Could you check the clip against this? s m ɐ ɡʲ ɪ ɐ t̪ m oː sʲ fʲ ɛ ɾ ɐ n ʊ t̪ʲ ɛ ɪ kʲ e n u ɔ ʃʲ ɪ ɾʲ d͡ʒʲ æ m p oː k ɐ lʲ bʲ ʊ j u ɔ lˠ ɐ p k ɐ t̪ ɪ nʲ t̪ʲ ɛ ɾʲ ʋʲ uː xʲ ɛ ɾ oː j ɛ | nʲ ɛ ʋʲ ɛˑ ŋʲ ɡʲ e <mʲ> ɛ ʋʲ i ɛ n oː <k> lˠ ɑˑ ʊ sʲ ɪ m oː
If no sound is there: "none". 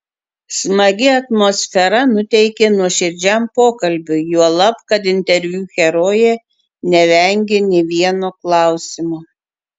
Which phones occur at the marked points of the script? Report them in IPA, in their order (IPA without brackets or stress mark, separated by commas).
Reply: nʲ, k